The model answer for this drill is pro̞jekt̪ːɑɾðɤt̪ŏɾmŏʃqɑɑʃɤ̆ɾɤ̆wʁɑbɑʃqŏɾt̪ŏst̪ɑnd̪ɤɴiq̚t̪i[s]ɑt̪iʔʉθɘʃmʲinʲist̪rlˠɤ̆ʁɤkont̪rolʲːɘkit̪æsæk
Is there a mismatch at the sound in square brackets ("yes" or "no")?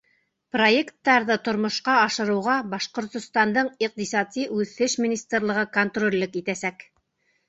no